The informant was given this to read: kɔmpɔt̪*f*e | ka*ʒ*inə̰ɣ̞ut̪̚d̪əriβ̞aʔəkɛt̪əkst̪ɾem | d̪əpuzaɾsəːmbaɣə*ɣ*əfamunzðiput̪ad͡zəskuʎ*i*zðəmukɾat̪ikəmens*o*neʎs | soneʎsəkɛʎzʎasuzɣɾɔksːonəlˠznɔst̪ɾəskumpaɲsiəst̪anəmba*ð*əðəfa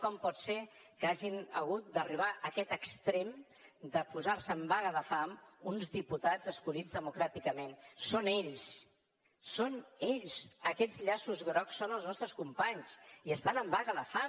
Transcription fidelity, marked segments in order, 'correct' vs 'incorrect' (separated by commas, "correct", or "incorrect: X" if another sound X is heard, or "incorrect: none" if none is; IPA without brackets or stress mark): incorrect: s, correct, incorrect: ð, correct, correct, incorrect: ɣ